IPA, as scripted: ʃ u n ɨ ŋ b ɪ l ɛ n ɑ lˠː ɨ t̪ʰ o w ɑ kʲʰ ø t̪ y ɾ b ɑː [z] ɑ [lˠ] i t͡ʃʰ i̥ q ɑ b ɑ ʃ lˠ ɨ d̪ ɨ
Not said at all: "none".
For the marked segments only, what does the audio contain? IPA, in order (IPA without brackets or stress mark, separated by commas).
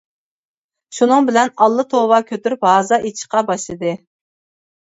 z, none